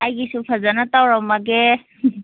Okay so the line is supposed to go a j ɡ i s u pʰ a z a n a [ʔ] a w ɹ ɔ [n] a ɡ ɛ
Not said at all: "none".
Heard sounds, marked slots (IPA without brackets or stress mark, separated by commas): t, m